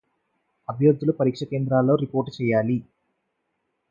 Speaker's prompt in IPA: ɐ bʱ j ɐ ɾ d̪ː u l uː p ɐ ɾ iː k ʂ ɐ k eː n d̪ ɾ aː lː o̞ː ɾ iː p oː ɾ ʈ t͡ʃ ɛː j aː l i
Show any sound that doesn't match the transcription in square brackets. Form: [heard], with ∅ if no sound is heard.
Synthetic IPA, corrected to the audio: ɐ bʱ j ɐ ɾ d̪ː u l [u] p ɐ ɾ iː k ʂ ɐ k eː n d̪ ɾ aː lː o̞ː ɾ [i] p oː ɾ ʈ t͡ʃ ɛː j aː l i